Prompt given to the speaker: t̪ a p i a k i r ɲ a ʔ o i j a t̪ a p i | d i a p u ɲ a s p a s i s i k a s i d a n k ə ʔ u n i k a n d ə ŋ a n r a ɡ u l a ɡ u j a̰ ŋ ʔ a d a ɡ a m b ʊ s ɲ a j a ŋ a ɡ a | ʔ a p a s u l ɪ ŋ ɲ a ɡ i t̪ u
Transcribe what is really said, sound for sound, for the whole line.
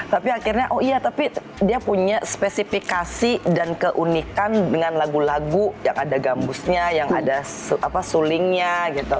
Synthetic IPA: t̪ a p i a k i r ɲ a ʔ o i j a t̪ a p i | d i a p u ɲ a s p e s i f i k a s i d a n k ə ʔ u n i k a n d ə ŋ a n l a ɡ u l a ɡ u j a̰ ŋ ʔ a d a ɡ a m b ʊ s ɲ a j a ŋ a d a | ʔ a p a s u l ɪ ŋ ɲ a ɡ i t̪ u